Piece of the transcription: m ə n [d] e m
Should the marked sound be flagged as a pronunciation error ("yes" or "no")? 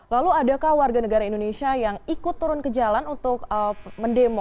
no